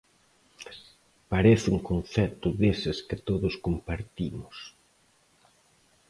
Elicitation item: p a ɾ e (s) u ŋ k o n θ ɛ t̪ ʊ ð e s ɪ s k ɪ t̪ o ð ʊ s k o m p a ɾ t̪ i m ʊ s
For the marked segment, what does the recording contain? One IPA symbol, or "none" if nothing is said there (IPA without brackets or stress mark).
θ